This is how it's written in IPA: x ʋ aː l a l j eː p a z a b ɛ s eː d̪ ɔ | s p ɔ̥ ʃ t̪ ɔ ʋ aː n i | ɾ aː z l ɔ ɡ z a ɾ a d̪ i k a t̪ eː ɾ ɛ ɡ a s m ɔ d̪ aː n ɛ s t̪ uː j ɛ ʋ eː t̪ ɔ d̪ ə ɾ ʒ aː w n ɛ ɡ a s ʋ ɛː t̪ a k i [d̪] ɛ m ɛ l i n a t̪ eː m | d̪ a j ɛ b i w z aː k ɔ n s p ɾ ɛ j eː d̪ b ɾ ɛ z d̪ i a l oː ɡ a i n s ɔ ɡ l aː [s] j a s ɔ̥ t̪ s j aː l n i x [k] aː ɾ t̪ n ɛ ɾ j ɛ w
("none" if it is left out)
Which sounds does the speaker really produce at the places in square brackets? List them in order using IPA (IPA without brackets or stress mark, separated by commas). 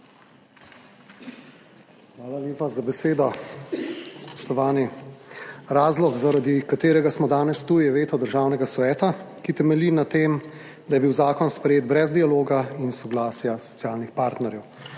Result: t̪, s, p